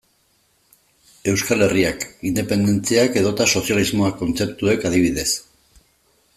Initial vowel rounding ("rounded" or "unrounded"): unrounded